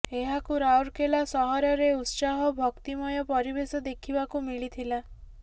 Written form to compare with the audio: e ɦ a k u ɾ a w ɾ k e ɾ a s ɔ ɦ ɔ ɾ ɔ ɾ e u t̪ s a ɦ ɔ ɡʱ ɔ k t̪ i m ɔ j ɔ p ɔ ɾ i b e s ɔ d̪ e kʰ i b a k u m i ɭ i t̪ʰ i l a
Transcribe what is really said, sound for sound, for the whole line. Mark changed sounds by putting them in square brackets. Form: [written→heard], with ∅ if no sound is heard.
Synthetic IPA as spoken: e ɦ a k u ɾ a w ɾ k e [ɾ→l] a s ɔ ɦ ɔ ɾ ɔ ɾ e u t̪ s a ɦ ɔ [ɡʱ→bʱ] ɔ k t̪ i m ɔ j ɔ p ɔ ɾ i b e s ɔ d̪ e kʰ i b a k u m i ɭ i t̪ʰ i l a